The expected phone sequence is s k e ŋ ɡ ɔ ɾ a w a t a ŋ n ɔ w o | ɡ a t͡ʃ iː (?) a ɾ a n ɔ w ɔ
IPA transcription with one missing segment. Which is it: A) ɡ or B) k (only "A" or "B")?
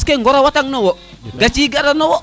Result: A